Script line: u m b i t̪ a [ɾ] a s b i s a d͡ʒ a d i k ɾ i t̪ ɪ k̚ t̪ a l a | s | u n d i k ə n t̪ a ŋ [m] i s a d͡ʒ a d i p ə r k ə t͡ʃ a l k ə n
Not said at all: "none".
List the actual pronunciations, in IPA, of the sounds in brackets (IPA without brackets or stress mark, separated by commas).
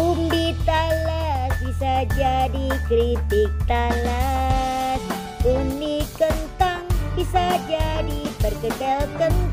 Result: l, b